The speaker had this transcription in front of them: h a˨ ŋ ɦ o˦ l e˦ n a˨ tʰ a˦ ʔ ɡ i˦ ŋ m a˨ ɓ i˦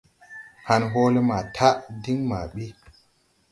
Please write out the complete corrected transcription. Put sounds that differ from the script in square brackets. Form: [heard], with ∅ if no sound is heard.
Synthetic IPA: h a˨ [n] ɦ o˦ l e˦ [m] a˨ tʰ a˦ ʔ [d] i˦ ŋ m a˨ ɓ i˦